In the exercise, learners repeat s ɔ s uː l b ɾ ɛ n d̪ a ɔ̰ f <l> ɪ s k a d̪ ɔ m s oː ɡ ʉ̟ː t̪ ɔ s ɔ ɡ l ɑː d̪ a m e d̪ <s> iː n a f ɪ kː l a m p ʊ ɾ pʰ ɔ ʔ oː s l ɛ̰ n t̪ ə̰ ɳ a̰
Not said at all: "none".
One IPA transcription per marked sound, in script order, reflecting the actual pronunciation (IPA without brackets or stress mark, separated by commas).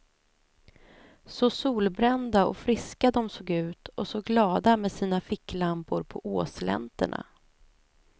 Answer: ɾ, s